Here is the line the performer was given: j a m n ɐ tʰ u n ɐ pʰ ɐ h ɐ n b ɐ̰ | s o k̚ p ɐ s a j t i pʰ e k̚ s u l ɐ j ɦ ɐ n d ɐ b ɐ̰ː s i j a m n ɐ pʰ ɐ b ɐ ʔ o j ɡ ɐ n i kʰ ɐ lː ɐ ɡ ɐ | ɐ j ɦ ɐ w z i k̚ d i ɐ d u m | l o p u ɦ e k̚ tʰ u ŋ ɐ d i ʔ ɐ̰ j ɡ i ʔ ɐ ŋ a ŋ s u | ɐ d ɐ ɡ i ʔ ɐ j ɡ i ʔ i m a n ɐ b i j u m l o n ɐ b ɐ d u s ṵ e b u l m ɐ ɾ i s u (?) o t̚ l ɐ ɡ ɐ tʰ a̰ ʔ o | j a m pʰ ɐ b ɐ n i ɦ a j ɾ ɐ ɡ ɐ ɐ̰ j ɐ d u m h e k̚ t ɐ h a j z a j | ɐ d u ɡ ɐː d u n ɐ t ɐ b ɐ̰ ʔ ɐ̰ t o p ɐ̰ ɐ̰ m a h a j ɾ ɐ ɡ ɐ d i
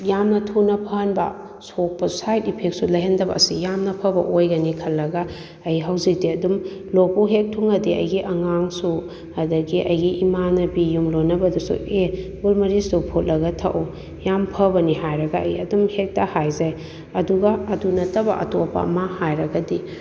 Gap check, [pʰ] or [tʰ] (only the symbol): pʰ